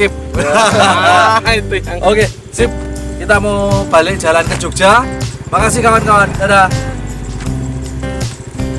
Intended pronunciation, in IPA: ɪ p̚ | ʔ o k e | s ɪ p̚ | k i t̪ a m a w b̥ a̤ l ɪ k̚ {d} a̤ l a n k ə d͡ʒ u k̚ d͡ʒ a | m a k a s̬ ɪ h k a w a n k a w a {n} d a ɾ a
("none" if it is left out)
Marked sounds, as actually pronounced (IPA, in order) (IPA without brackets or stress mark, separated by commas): d͡ʒ, n